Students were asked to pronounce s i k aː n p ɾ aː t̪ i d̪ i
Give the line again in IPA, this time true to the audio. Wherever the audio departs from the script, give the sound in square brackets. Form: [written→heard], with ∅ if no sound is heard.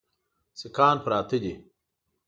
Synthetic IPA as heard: s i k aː n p ɾ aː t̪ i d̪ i